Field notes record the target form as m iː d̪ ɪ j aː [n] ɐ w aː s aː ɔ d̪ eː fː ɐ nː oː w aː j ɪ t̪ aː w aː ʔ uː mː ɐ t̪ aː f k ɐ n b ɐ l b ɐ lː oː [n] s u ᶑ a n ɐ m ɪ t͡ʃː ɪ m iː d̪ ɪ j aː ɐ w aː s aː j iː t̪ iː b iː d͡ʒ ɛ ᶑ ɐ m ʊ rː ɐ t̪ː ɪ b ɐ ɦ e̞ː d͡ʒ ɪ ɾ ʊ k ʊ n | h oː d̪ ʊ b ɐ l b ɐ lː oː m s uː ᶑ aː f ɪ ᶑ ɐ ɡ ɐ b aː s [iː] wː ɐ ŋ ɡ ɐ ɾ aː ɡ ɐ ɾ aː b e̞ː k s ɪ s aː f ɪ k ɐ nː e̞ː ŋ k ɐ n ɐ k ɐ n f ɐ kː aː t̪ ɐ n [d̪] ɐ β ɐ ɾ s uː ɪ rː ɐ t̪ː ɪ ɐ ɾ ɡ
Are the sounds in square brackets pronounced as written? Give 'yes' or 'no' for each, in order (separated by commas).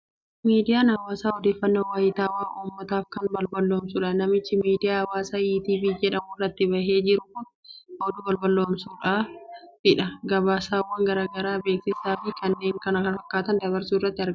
yes, no, no, yes